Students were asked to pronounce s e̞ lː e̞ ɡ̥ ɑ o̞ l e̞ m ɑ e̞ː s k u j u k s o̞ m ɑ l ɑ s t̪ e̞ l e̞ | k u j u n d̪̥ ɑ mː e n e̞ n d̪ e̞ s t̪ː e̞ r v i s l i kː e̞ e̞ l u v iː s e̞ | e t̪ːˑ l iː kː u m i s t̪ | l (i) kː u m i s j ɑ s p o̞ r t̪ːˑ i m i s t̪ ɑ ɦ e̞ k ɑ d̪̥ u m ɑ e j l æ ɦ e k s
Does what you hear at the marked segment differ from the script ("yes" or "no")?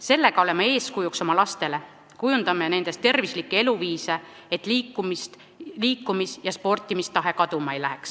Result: yes